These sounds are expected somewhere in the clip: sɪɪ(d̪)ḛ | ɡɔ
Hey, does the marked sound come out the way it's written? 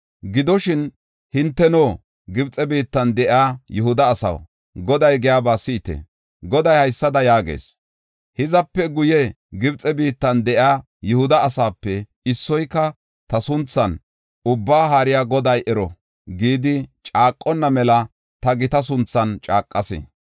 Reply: no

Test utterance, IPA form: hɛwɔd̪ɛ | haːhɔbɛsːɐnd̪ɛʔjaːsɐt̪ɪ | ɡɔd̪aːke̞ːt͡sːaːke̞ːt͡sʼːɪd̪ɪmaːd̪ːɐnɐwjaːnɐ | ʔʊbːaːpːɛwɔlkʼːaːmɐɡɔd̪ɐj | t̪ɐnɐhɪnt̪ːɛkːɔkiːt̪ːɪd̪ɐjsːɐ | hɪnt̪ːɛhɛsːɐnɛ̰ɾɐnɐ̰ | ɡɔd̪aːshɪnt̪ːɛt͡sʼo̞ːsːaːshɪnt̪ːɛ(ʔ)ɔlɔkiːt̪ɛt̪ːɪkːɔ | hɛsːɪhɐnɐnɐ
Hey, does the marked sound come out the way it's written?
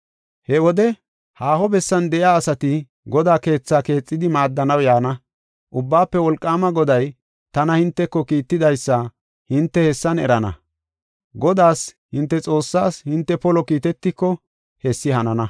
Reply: no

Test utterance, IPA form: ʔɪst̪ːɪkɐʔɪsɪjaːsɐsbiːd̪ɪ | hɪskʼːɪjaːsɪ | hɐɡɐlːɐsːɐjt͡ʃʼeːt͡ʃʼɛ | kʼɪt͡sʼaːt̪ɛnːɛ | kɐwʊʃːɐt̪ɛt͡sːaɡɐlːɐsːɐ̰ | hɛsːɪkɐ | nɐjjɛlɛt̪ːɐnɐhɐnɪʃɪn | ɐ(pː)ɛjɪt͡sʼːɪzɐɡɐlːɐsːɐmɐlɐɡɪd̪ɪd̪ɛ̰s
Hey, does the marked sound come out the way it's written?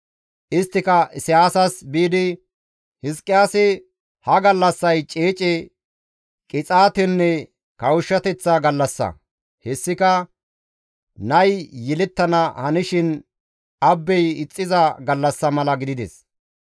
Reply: no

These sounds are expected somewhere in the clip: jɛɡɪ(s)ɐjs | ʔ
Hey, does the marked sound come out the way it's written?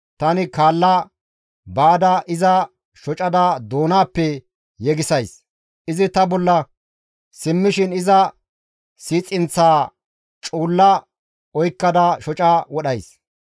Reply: yes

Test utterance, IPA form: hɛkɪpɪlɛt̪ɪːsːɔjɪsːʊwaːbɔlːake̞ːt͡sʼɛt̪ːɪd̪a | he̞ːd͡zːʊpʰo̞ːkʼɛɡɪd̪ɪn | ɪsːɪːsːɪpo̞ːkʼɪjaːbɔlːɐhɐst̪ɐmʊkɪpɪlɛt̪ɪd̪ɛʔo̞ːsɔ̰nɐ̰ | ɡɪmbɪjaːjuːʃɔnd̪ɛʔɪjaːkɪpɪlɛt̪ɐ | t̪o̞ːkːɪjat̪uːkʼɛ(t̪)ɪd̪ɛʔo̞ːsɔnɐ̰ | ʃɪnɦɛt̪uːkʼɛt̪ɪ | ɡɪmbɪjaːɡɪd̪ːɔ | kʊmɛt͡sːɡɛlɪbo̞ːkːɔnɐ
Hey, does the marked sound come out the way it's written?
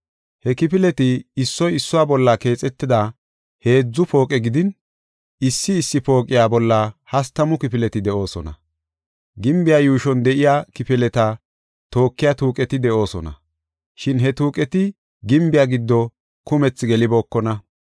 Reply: yes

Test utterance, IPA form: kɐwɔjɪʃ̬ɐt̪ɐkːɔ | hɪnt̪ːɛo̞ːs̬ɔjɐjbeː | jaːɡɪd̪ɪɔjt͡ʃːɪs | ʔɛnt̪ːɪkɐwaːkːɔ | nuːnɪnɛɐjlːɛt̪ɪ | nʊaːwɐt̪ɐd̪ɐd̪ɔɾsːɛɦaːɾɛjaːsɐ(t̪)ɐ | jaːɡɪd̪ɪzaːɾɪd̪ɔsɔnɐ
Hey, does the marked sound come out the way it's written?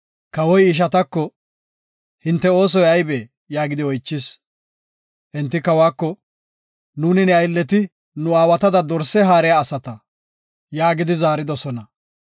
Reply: yes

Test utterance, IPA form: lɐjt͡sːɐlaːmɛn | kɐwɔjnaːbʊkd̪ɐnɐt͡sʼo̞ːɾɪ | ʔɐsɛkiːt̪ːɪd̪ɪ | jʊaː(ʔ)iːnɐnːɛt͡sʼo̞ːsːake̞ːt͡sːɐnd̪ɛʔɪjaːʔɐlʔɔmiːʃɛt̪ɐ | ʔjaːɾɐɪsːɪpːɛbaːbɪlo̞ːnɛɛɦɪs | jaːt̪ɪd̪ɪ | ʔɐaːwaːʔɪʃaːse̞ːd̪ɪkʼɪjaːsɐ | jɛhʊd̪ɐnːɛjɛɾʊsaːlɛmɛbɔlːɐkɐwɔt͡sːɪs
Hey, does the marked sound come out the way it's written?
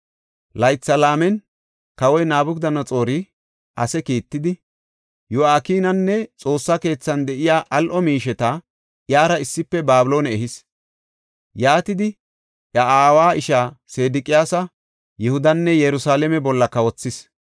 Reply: no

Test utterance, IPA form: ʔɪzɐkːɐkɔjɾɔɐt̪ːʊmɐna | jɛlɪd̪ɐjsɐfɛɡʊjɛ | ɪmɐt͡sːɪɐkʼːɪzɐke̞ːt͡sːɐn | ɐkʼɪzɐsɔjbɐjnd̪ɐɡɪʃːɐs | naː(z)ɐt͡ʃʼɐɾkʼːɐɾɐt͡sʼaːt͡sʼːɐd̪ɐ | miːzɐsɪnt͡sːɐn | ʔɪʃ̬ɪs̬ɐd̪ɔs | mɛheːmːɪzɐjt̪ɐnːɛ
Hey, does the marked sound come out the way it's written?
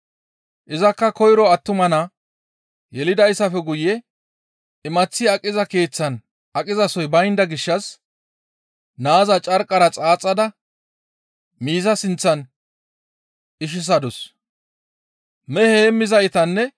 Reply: yes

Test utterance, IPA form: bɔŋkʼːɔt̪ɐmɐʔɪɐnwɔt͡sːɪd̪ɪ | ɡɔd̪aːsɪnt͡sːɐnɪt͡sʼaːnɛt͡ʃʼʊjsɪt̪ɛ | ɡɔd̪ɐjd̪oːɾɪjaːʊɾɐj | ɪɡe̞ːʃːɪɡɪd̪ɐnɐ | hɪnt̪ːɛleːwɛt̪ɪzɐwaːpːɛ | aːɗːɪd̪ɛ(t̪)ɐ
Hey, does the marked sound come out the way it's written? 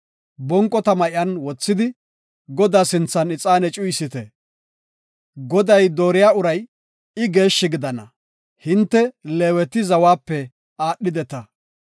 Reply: yes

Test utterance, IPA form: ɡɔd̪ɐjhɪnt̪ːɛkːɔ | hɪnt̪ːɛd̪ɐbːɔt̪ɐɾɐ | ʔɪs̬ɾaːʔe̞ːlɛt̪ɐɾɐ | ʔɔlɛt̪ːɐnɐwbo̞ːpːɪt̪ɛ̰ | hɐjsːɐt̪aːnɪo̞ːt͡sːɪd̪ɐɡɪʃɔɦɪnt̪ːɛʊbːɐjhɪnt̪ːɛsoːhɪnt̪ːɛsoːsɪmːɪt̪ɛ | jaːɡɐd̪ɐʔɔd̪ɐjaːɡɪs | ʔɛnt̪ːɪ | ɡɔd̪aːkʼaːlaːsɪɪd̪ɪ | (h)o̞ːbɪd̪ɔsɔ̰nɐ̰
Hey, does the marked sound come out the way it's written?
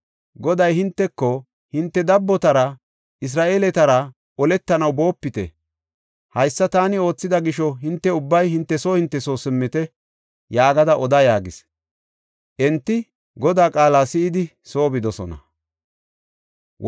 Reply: no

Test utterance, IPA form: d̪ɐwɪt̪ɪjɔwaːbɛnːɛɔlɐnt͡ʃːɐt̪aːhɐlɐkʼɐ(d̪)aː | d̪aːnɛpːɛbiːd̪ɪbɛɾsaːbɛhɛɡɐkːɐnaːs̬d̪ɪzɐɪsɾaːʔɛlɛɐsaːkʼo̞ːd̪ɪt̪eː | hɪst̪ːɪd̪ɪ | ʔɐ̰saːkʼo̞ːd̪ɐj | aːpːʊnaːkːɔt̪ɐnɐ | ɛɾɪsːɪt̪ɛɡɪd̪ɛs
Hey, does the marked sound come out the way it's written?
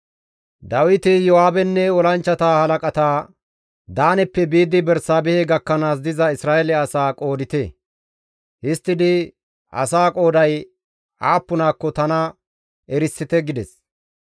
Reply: no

